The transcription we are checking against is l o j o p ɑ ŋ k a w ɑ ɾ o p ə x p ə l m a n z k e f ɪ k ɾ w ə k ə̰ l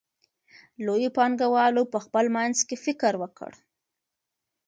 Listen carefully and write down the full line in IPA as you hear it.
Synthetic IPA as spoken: l o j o p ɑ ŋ ɡ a w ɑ l o p ə x p ə l m a n z k e f ɪ k ɾ w ə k ə̰ ɽ